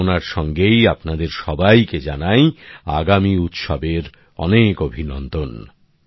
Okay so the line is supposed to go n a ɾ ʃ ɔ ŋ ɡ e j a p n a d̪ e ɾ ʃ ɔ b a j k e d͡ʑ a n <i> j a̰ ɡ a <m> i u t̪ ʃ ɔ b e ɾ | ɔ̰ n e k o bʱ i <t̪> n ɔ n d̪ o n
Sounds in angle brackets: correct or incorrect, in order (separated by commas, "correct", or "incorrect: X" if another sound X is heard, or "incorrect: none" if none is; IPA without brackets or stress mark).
incorrect: a, correct, incorrect: none